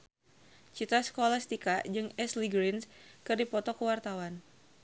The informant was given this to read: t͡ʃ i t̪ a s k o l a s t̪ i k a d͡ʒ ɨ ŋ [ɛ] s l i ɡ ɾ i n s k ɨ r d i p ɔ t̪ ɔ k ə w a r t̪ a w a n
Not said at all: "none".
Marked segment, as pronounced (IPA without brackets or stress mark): ɛ